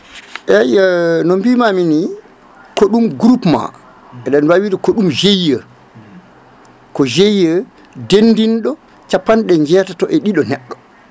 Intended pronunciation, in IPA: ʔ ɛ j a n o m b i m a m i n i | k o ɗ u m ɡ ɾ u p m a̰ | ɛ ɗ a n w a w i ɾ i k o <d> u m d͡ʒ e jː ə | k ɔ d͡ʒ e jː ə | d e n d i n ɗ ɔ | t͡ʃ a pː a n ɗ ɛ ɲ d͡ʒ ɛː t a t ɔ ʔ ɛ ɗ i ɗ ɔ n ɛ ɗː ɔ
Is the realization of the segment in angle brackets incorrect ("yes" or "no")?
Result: yes